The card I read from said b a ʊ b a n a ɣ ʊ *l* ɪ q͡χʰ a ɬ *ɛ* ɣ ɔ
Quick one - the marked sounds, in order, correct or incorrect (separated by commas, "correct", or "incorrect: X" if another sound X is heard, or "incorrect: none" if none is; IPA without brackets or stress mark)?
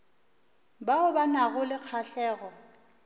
correct, incorrect: ɛː